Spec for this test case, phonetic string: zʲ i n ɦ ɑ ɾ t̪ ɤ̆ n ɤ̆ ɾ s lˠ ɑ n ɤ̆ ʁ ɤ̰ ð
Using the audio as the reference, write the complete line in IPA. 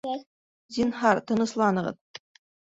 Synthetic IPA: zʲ i n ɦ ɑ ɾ t̪ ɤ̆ n ɤ̆ s lˠ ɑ n ɤ̆ ʁ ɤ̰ ð